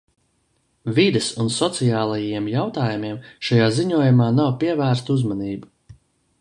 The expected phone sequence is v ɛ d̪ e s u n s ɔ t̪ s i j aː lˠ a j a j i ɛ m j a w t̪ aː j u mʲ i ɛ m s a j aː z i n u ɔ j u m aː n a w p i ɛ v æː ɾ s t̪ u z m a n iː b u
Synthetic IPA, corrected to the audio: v i d̪ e s u n s ɔ t̪ s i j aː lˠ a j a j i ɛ m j a w t̪ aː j u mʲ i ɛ m ʃ a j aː z i ɲ u ɔ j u m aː n a w p i ɛ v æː ɾ s t̪ u z m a n iː b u